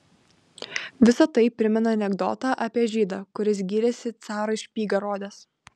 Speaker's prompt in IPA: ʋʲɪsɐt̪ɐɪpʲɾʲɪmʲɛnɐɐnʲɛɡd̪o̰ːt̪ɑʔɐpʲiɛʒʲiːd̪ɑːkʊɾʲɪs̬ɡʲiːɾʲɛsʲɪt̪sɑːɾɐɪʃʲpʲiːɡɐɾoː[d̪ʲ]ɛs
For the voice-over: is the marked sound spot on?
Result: yes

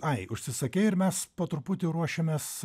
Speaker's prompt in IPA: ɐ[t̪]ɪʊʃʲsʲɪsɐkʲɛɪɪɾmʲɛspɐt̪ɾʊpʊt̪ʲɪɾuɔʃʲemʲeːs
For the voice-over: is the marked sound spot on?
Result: no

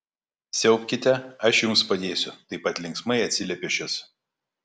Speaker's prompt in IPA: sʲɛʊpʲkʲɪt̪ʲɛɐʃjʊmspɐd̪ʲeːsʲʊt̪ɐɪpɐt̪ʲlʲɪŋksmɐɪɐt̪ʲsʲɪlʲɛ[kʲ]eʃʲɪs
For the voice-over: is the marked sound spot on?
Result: no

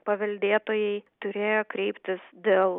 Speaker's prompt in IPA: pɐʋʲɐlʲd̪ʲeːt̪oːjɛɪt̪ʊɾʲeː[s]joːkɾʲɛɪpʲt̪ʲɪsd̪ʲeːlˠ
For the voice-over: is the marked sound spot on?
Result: no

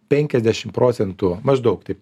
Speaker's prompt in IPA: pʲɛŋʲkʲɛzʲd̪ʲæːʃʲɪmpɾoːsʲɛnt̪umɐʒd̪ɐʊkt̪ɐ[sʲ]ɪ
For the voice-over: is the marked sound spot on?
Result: no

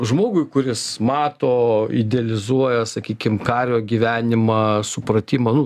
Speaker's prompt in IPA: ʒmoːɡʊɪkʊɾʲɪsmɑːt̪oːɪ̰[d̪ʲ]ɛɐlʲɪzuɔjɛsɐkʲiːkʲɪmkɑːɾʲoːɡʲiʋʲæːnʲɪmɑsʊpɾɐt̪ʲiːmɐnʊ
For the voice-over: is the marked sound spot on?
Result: yes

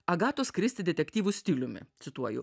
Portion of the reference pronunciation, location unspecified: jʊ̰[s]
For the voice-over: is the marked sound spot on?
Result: no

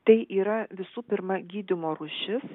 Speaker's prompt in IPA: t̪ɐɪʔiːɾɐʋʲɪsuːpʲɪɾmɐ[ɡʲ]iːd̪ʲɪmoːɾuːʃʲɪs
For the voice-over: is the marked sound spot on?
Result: yes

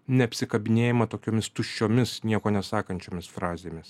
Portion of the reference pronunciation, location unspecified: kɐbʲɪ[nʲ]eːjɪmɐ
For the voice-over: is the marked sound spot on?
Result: yes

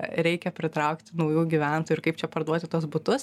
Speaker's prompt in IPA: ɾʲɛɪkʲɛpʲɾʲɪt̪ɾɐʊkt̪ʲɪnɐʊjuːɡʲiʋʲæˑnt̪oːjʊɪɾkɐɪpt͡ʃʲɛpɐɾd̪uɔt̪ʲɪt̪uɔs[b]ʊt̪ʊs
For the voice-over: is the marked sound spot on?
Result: yes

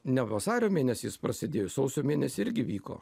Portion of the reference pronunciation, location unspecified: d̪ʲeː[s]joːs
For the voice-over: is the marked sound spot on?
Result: no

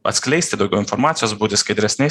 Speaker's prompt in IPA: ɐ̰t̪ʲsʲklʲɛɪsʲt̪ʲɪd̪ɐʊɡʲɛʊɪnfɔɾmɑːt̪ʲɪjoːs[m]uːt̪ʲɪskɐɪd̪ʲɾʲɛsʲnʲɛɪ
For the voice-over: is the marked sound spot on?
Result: no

